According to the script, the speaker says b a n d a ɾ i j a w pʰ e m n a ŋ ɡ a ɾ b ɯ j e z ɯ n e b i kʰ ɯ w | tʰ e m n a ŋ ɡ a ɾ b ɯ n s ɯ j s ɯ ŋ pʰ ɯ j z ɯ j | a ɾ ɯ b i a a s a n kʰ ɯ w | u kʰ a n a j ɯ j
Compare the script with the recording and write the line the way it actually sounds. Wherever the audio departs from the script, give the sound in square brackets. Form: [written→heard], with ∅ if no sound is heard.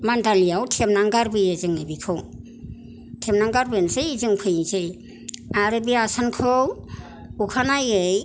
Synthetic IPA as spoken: [b→m] a n d a [ɾ→l] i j a w [pʰ→tʰ] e m n a ŋ ɡ a ɾ b ɯ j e z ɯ [n→ŋ] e b i kʰ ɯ w | tʰ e m n a ŋ ɡ a ɾ b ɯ n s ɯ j [s→z] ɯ ŋ pʰ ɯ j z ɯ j | a ɾ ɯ b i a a s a n kʰ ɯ w | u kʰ a n a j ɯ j